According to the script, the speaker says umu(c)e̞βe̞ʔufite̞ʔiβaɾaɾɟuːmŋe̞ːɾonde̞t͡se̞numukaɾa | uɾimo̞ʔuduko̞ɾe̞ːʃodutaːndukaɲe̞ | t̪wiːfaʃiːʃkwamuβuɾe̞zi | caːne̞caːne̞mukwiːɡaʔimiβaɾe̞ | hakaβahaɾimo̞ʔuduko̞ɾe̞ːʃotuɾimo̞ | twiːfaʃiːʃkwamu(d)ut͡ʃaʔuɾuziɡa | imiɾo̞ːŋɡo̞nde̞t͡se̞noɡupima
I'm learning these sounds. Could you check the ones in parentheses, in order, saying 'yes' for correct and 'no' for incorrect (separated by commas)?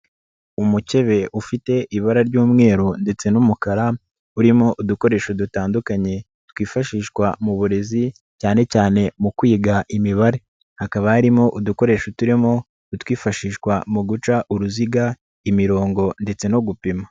yes, no